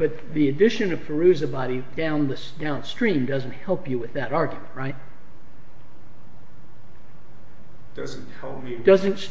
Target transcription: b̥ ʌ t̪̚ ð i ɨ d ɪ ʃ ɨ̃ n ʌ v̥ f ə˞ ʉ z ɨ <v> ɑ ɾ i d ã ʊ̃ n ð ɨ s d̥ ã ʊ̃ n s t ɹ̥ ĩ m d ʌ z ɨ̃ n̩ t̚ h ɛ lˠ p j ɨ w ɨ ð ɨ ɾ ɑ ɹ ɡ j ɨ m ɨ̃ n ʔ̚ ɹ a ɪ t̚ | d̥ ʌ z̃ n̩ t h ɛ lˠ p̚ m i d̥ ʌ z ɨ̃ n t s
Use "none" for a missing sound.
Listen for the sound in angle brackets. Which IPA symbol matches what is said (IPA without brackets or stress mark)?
b